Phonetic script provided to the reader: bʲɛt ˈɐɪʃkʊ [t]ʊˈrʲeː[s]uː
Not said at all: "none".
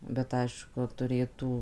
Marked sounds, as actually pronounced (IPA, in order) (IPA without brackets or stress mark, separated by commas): t, t